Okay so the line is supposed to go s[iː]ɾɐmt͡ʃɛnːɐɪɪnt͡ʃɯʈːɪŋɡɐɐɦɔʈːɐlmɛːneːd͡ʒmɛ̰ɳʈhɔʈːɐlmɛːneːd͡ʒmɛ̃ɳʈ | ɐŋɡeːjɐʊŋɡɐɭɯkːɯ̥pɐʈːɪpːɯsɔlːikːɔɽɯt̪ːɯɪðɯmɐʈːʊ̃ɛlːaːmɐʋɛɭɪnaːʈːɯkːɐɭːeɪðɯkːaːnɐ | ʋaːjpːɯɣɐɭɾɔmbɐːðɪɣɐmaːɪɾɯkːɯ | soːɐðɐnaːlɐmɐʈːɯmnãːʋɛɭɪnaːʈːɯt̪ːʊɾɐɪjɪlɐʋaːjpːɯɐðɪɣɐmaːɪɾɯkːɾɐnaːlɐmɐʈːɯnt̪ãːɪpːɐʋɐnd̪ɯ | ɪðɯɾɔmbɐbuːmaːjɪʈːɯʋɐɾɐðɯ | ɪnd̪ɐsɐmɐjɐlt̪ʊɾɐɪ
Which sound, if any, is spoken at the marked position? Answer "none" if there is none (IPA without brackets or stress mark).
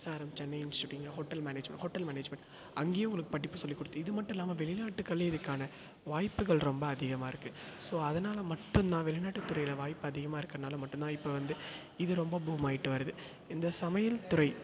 aː